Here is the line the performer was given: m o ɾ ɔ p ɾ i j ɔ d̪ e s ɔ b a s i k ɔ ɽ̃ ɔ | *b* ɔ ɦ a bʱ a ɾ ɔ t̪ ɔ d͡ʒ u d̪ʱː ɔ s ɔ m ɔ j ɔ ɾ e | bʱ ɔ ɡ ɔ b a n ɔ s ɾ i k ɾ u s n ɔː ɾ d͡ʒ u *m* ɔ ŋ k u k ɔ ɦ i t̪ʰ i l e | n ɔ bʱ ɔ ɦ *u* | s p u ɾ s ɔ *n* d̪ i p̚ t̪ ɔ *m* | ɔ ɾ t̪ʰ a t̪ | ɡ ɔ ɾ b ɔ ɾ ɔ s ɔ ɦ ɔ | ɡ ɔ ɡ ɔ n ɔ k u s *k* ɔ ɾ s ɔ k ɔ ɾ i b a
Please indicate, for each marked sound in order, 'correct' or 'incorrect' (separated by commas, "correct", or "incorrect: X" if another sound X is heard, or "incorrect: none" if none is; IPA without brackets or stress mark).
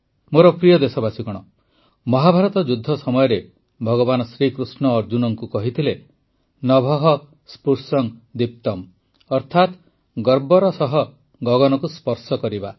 incorrect: m, incorrect: n, incorrect: ɔ, incorrect: ŋ, correct, incorrect: p